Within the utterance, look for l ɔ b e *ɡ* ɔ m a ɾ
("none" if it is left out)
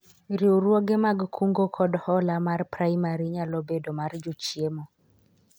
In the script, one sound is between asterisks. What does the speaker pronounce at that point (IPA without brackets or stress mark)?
d